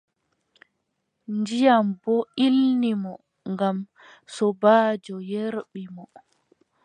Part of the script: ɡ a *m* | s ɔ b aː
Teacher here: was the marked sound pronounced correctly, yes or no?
yes